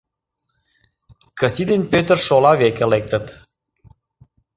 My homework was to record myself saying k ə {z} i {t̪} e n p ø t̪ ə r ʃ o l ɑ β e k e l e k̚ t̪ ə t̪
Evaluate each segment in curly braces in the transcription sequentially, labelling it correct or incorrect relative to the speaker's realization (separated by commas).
incorrect, incorrect